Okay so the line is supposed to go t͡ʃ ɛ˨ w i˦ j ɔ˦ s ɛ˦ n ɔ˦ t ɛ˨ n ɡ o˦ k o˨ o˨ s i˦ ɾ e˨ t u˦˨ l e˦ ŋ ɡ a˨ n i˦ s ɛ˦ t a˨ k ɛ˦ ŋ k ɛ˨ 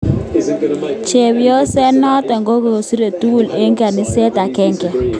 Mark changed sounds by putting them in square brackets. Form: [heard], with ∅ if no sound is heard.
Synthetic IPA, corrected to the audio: t͡ʃ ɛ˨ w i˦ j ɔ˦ s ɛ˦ n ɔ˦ t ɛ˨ [ŋ] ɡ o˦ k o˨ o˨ s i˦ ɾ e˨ t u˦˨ l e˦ ŋ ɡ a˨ n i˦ s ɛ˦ t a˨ k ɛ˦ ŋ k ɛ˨